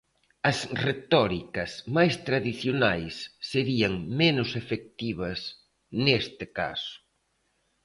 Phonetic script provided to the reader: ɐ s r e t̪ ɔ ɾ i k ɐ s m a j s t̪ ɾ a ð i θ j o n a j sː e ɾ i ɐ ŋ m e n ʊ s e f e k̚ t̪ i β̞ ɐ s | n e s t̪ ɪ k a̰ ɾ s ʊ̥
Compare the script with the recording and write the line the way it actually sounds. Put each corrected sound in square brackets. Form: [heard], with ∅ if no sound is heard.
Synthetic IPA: ɐ s r e t̪ ɔ ɾ i k ɐ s m a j s t̪ ɾ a ð i θ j o n a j sː e ɾ i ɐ ŋ m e n ʊ s e f e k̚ t̪ i β̞ ɐ s | n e s t̪ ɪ k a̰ [∅] s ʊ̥